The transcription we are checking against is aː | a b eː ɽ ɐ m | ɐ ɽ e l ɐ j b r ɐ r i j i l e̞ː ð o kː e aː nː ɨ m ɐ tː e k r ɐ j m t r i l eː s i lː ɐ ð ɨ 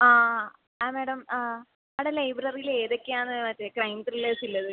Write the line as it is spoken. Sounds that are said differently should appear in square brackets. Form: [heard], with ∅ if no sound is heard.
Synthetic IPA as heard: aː | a [m] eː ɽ ɐ m | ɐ ɽ e l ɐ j b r ɐ r i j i l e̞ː ð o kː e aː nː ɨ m ɐ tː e k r ɐ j m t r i l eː s i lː ɐ ð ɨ